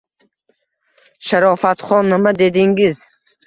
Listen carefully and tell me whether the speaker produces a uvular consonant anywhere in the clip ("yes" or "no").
yes